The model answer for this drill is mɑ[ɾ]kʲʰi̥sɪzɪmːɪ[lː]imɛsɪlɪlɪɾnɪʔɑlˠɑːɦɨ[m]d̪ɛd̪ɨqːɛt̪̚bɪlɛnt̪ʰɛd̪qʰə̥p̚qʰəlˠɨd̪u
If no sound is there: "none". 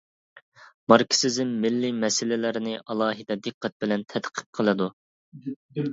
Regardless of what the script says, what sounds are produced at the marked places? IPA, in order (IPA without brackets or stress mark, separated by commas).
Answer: ɾ, lː, none